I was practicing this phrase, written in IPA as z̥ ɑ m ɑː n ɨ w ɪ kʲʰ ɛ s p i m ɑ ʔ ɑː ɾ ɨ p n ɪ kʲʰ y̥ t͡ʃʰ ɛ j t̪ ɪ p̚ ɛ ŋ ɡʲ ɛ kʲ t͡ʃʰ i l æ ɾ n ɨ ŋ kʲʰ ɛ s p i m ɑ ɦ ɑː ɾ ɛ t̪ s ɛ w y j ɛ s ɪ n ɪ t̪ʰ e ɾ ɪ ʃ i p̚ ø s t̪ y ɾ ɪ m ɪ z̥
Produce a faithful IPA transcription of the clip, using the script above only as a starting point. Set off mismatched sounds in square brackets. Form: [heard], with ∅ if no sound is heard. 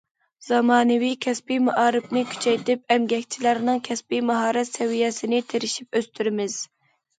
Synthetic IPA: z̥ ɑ m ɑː n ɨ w [i] kʲʰ ɛ s p i m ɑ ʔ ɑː ɾ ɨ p n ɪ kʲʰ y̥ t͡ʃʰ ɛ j t̪ ɪ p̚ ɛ [m] ɡʲ ɛ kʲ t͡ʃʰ i l æ ɾ n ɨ ŋ kʲʰ ɛ s p i m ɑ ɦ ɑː ɾ ɛ t̪ s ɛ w [i] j ɛ s ɪ n ɪ t̪ʰ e ɾ ɪ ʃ i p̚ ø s t̪ y ɾ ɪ m ɪ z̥